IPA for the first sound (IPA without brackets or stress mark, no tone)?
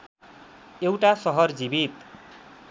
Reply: e